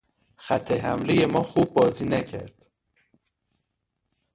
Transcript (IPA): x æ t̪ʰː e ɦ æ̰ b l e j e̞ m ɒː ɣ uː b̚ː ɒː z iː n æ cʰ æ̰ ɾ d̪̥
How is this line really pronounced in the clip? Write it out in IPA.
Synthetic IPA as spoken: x æ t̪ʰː e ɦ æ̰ m l e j e̞ m ɒː x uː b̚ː ɒː z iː n æ cʰ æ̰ ɾ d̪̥